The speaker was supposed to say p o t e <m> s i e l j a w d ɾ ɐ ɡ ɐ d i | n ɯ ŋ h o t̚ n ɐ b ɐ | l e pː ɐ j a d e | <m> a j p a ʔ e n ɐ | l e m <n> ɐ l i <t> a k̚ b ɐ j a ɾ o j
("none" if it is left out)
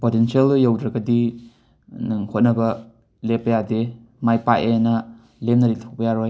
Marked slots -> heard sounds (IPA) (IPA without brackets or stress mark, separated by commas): n, m, n, tʰ